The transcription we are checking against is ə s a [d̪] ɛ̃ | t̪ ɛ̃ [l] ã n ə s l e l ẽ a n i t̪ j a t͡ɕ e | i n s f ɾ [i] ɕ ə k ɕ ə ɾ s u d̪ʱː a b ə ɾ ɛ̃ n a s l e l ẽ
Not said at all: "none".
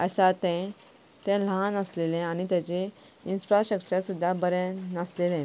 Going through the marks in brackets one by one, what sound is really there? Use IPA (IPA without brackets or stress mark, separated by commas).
t̪, l, a